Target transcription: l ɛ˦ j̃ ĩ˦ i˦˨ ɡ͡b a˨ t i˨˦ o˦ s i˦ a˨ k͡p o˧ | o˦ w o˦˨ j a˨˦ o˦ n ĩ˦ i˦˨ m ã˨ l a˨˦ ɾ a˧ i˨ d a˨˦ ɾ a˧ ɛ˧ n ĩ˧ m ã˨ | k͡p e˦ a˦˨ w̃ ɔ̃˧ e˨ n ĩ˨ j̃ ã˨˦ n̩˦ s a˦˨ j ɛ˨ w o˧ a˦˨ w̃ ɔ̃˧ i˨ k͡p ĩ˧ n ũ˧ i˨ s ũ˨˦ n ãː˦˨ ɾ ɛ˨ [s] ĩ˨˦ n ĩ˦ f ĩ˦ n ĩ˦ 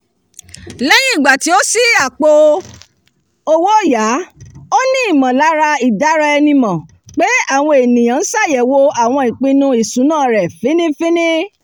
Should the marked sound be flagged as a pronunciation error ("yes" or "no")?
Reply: yes